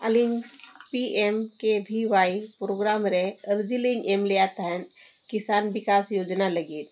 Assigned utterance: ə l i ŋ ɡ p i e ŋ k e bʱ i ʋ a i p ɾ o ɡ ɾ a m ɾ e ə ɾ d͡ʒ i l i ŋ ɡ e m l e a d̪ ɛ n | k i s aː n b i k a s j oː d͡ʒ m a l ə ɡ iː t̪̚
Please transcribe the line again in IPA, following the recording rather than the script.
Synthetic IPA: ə l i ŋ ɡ p i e m k e bʱ i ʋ a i p ɾ o ɡ ɾ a m ɾ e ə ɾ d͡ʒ i l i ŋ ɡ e m l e a t̪ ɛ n | k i s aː n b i k a s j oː d͡ʒ n a l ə ɡ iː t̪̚